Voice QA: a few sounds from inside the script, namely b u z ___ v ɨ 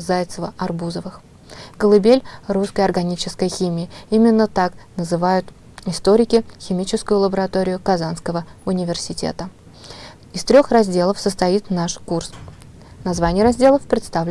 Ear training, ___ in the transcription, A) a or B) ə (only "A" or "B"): B